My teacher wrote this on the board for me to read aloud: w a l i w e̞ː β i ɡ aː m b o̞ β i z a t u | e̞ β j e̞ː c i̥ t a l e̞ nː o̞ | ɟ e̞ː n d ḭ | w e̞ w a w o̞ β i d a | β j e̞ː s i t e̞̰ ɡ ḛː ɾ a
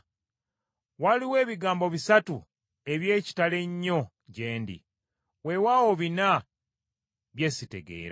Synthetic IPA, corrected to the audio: w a l i w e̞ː β i ɡ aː m b o̞ β i s a t u | e̞ β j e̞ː c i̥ t a l e̞ ɲː o̞ | ɟ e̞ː n d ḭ | w e̞ w a w o̞ β i n a | β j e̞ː s i t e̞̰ ɡ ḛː ɾ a